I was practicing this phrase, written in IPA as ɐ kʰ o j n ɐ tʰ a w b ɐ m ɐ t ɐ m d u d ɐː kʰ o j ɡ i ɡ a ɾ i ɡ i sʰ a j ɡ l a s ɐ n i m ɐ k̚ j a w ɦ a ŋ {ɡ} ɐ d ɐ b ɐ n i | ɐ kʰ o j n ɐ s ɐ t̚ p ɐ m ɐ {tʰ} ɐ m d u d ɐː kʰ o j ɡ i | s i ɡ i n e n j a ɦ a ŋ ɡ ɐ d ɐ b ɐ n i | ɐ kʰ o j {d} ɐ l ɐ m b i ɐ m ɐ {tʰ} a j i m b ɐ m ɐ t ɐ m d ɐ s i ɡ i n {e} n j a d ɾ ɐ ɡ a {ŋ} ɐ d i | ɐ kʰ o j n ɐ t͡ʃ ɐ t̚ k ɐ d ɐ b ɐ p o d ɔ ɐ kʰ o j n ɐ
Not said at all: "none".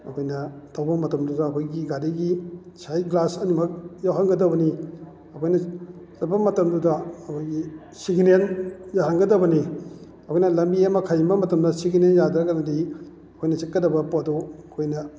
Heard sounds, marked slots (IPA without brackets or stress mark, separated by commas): ɡ, t, n, kʰ, e, n